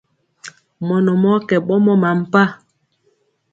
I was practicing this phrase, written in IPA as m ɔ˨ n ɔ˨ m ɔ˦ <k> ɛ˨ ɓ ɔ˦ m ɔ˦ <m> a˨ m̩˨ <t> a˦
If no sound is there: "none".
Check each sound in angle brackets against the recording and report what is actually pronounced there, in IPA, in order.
k, m, p

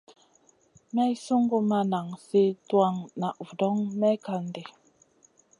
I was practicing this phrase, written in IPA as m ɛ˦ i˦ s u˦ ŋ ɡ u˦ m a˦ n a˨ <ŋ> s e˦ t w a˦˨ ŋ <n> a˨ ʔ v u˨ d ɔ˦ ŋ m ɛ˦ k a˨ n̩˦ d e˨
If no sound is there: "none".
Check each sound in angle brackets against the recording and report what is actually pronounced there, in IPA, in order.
ŋ, n

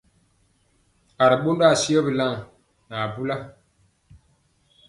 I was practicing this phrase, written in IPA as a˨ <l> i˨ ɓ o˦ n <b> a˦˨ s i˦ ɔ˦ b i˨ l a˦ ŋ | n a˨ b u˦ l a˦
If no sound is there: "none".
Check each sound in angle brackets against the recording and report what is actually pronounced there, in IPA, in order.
ɾ, d

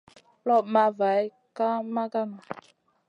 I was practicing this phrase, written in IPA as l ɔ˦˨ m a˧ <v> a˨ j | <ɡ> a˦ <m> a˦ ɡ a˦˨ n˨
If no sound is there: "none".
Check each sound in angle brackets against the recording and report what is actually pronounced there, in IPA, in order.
v, k, m

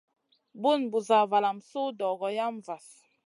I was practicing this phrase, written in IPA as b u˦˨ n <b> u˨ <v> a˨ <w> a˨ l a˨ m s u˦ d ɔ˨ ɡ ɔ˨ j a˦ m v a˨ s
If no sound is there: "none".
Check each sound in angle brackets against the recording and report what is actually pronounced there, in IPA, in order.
b, z, v

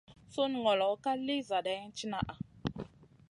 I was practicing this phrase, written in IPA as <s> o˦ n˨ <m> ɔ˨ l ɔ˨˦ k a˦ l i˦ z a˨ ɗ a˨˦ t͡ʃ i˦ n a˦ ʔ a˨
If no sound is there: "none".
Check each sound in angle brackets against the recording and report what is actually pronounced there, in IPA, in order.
s, ŋ

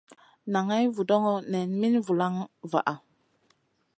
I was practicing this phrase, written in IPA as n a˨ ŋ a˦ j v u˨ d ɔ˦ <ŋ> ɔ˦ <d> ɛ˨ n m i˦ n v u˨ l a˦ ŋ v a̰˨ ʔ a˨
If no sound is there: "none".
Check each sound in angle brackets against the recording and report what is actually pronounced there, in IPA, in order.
ŋ, n

